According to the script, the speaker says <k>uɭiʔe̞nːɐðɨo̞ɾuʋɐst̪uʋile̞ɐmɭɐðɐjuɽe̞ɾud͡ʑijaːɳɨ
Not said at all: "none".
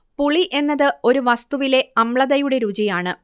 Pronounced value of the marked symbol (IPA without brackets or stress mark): p